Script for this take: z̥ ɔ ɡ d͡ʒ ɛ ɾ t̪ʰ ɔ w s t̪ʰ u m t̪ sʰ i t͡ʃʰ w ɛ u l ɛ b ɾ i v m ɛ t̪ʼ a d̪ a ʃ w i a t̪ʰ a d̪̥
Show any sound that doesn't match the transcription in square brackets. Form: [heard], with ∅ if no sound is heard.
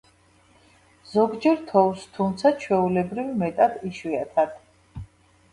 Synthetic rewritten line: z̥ ɔ ɡ d͡ʒ ɛ ɾ t̪ʰ ɔ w s t̪ʰ u m t̪ sʰ [a] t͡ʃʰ w ɛ u l ɛ b ɾ i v m ɛ t̪ʼ a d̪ [i] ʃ w i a t̪ʰ a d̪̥